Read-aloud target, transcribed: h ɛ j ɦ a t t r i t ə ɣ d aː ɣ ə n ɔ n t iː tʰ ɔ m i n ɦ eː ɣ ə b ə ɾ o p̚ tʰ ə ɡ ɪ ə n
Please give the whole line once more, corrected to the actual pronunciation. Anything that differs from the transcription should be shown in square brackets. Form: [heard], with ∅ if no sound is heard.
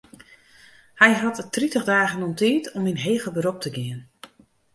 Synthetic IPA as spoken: h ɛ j ɦ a t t r i t ə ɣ d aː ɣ ə n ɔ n t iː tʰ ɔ m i n ɦ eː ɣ ə b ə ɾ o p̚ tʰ ə ɡ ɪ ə n